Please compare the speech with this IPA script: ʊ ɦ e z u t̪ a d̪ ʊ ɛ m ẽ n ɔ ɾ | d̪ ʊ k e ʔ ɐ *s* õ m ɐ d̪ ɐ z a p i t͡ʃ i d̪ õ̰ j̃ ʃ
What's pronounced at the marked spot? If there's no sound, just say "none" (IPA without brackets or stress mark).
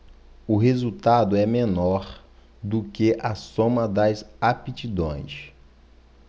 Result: s